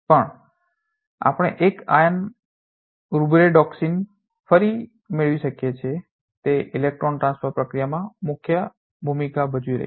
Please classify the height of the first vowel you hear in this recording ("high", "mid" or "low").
mid